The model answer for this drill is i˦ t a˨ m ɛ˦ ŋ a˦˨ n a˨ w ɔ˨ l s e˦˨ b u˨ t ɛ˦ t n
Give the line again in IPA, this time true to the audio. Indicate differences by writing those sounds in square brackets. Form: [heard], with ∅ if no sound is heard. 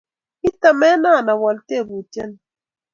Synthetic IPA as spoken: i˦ t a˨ m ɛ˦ [n] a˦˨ n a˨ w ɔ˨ l [t] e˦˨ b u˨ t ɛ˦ [∅] n

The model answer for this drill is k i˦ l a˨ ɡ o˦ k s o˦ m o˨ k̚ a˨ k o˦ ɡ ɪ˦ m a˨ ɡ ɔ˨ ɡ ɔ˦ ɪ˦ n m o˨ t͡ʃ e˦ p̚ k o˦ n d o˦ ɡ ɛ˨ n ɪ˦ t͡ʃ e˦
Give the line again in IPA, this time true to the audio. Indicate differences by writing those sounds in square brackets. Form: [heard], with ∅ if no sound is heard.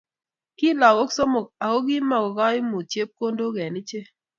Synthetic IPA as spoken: k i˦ l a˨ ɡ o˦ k s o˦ m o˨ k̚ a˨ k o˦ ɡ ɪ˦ m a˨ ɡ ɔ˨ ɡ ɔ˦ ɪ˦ [∅] m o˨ t͡ʃ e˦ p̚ k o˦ n d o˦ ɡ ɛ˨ n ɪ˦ t͡ʃ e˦

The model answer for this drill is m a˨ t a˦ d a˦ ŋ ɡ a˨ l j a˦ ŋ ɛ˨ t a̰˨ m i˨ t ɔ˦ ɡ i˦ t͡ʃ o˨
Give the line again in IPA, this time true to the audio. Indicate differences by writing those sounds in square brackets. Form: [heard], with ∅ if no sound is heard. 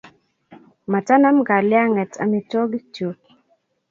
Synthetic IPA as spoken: m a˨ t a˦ [n] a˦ [m] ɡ a˨ l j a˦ ŋ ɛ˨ t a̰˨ m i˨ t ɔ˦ ɡ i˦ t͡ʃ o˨

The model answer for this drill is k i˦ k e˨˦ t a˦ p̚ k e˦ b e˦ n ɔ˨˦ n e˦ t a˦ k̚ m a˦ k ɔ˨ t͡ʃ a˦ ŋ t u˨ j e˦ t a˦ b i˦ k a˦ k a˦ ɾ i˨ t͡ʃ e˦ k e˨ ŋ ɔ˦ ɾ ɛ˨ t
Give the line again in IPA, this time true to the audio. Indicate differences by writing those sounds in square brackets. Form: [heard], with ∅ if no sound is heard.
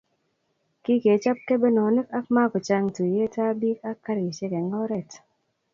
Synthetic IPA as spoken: k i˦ k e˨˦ [t͡ʃ] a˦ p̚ k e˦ b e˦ n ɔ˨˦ n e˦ [k] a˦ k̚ m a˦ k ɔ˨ t͡ʃ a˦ ŋ t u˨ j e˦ t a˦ b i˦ k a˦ k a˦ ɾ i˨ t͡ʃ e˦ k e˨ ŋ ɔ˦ ɾ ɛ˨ t

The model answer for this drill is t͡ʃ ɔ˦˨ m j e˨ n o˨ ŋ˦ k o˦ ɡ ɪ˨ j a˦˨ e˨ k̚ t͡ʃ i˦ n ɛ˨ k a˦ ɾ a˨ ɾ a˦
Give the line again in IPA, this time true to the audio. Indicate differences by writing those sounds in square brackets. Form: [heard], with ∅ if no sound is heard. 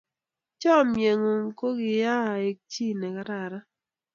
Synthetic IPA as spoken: t͡ʃ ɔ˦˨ m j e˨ [ŋ] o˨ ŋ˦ k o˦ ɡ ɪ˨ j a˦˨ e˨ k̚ t͡ʃ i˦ n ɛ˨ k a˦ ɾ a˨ ɾ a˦

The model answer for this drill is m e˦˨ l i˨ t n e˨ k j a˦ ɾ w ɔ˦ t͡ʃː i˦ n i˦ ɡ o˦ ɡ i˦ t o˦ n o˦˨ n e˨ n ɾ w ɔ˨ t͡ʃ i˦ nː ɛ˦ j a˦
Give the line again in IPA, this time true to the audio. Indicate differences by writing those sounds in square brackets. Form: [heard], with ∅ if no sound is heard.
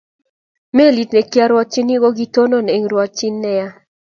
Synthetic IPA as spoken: m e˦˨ l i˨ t n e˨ k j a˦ ɾ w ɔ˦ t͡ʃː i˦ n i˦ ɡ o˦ ɡ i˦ t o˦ n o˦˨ n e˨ [ŋ] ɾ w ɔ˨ t͡ʃ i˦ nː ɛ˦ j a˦

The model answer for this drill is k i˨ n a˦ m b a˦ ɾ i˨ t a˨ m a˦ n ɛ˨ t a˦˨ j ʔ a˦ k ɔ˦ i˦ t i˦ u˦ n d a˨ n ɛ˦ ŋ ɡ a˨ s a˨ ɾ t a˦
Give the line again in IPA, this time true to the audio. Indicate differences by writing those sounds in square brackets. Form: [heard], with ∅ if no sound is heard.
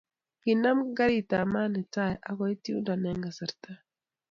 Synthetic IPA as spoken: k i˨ n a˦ m [ɡ] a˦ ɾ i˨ t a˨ m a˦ n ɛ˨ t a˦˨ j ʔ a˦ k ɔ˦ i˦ t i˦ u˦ n d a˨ n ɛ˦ ŋ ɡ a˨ s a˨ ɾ t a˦

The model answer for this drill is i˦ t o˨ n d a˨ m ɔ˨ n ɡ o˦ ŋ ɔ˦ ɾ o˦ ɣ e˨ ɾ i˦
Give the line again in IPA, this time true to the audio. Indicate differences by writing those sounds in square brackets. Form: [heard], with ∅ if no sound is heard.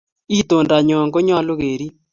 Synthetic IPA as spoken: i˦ t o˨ n d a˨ [ɲ] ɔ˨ [ŋ] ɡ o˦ [ɲ] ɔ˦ [l] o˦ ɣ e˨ ɾ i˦

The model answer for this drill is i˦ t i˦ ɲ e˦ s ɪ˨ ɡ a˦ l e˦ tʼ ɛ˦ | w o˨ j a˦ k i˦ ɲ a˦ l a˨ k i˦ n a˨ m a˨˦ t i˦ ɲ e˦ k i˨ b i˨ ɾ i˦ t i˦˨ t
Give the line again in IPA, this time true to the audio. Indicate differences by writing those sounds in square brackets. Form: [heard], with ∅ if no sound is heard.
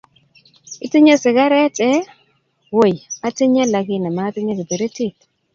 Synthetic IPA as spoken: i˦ t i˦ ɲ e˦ s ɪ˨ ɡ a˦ [ɾ] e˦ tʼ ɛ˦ | w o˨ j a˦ [t] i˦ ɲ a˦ l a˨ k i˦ n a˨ m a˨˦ t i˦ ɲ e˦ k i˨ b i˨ ɾ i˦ t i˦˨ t

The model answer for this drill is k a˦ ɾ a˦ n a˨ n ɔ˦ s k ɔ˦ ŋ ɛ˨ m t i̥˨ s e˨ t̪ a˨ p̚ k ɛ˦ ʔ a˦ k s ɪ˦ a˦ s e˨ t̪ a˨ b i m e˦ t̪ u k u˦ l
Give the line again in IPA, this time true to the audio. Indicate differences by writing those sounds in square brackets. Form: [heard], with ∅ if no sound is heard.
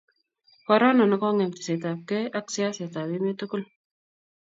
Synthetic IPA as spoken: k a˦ ɾ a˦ n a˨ n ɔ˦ [∅] k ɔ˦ ŋ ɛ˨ m t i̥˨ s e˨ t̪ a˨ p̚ k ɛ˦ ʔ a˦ k s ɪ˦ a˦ s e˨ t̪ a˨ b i m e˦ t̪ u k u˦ l

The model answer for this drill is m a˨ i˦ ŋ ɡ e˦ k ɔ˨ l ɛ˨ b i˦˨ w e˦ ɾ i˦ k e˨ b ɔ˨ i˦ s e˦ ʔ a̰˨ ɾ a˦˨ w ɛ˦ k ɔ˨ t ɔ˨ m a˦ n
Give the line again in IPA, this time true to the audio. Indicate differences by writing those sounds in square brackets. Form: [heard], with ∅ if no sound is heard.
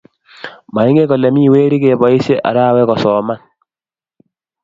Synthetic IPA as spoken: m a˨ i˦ ŋ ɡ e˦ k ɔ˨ l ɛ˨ [m] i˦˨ w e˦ ɾ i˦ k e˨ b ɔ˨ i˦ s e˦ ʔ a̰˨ ɾ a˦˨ w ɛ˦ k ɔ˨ [s] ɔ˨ m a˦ n

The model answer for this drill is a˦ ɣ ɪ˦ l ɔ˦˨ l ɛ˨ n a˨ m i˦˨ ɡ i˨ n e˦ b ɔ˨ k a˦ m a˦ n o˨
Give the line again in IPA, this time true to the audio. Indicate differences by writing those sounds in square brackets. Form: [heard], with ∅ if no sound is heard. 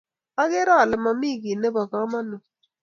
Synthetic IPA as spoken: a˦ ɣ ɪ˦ [ɾ] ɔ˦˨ l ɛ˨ [m] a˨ m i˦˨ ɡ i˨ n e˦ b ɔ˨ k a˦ m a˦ n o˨

